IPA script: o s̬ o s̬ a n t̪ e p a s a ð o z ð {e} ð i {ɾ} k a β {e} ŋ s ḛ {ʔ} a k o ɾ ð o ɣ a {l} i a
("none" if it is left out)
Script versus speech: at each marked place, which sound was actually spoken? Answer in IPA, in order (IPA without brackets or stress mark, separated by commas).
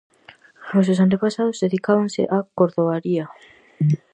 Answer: e, none, a, ʔ, ɾ